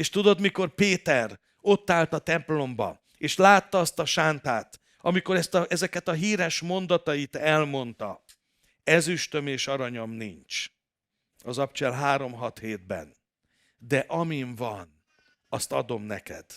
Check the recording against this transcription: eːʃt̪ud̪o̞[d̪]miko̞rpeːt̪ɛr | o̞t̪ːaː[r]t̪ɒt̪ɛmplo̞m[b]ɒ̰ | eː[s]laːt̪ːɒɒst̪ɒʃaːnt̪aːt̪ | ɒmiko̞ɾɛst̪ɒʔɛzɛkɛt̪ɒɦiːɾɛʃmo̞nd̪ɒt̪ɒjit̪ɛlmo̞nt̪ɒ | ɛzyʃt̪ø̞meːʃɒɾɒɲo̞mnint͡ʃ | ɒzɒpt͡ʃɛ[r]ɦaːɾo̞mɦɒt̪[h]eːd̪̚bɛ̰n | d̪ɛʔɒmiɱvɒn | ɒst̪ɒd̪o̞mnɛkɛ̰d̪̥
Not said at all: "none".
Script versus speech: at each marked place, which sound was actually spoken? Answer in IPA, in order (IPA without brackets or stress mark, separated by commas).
d̪, l, b, ʃ, l, h